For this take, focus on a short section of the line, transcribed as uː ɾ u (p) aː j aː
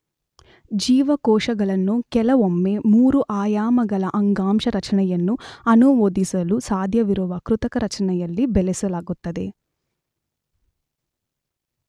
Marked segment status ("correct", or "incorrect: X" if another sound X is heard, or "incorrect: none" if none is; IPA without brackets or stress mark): incorrect: ʔ